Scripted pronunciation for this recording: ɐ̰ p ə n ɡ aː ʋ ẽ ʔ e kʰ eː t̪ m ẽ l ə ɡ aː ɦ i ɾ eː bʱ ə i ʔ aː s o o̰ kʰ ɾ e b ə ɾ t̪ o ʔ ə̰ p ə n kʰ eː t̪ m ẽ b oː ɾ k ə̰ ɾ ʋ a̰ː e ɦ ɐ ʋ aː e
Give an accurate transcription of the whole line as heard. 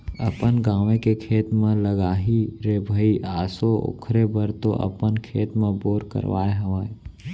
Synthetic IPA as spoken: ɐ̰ p ə n ɡ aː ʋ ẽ k e kʰ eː t̪ m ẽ l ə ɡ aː ɦ i ɾ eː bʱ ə i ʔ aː s o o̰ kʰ ɾ e b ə ɾ t̪ o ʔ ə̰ p ə n kʰ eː t̪ m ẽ b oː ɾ k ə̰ ɾ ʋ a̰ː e ɦ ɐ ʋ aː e